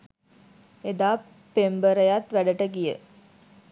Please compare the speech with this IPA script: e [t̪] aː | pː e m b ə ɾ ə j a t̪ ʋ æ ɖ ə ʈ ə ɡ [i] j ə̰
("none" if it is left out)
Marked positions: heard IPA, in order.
d̪, i

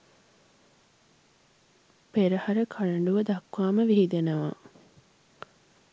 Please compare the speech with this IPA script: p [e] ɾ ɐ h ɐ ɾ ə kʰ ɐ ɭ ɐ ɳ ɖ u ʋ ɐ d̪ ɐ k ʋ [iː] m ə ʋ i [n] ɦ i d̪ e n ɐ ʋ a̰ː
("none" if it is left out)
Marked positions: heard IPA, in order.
e, aː, none

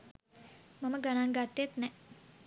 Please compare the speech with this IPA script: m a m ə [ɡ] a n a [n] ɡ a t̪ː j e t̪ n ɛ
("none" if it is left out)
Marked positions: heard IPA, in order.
ɡ, ŋ

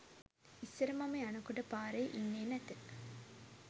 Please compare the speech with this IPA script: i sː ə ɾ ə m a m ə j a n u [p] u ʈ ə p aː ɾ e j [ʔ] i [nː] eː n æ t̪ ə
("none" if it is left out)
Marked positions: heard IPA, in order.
k, ʔ, nː

